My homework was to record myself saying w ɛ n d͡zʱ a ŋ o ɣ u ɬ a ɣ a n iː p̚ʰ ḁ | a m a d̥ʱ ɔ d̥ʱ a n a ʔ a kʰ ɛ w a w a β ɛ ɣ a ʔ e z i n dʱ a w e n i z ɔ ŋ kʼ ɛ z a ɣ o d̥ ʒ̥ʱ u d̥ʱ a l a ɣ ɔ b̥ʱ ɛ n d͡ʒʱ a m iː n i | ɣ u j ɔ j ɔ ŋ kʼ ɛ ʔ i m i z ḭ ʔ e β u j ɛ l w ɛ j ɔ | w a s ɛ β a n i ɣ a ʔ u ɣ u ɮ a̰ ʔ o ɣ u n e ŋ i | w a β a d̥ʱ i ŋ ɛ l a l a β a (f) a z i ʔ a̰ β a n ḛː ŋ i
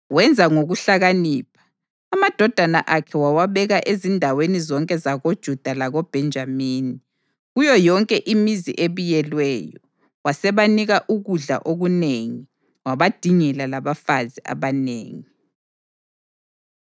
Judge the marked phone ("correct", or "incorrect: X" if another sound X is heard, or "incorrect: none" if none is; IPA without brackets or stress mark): correct